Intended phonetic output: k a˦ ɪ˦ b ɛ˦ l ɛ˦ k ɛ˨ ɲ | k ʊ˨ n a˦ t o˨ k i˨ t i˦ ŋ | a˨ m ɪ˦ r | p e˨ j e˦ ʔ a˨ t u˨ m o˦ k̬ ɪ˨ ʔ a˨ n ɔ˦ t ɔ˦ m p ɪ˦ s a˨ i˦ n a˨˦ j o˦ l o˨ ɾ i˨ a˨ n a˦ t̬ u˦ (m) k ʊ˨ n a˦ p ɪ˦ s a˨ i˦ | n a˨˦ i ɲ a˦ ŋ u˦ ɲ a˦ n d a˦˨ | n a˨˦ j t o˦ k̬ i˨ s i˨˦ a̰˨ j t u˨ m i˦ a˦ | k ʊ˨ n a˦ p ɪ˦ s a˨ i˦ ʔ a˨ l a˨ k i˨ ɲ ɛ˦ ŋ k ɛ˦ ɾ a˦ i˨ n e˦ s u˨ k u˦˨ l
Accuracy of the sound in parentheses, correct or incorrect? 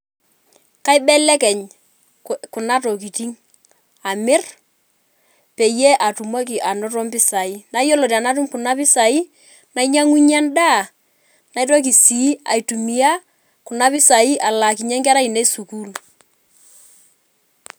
correct